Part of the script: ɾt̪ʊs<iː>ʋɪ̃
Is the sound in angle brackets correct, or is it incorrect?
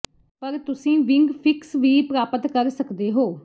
incorrect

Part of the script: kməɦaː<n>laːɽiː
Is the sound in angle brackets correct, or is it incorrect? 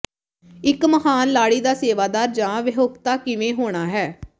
correct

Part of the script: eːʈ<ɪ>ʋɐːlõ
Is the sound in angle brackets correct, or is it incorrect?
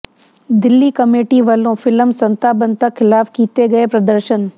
incorrect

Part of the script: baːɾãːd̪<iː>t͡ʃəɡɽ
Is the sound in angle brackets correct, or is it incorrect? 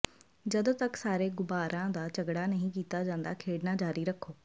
incorrect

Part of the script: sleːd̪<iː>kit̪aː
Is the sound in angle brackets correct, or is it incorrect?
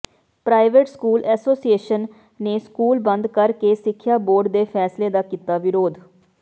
incorrect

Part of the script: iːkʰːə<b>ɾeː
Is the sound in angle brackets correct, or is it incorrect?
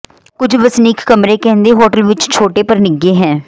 incorrect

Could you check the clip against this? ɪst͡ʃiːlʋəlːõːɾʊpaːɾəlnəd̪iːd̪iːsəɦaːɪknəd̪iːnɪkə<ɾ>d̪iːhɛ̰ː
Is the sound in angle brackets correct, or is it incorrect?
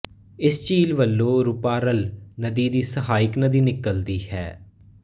incorrect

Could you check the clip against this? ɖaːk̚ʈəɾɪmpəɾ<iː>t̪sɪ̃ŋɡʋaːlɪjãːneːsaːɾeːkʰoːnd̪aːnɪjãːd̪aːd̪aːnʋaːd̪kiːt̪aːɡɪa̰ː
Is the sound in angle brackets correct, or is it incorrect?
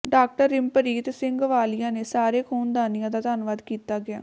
correct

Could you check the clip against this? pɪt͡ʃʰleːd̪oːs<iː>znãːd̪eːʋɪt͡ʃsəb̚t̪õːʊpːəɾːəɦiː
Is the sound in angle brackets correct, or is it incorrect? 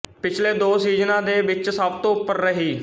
correct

